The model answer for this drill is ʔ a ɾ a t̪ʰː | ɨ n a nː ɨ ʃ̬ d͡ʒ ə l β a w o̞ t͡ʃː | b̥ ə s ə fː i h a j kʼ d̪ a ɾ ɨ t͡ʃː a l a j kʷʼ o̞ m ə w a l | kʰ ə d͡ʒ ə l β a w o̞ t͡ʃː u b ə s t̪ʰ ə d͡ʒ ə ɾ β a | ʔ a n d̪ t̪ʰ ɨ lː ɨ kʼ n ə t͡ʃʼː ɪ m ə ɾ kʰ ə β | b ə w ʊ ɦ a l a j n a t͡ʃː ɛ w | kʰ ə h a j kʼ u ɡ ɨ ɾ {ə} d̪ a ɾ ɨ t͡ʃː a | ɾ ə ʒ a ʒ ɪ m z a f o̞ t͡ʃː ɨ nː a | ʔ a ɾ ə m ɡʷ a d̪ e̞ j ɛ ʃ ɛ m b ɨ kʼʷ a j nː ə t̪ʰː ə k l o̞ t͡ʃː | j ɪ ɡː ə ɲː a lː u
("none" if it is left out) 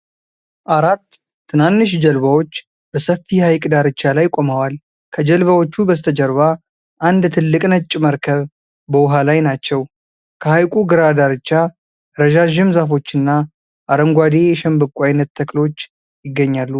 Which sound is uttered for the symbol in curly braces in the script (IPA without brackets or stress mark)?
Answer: a